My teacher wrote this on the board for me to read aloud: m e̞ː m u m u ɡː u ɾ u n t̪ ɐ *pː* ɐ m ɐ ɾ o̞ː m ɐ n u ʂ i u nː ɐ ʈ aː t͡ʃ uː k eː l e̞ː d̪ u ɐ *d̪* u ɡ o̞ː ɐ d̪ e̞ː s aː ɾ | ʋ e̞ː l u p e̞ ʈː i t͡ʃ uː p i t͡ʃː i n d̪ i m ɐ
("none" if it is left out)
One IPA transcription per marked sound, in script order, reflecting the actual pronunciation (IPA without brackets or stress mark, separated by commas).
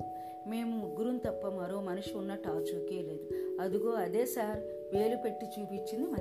pː, d̪